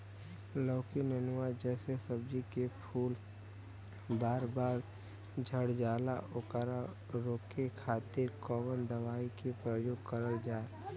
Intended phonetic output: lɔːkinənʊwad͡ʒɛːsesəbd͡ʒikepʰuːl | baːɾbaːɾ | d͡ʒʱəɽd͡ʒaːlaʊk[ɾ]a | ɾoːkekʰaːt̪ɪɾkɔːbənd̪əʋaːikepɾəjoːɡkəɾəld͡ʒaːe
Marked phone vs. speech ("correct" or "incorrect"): correct